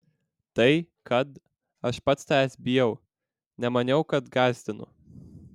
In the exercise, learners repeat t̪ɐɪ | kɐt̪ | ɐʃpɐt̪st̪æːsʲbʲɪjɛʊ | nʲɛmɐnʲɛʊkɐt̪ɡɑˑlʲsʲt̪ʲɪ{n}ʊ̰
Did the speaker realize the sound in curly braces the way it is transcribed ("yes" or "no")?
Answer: yes